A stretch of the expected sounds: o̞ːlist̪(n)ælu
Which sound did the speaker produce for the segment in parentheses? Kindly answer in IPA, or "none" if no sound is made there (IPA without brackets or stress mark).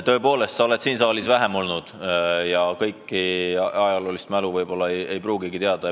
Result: m